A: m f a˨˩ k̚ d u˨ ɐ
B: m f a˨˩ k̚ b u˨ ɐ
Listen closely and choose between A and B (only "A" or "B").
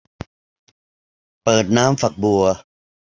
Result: B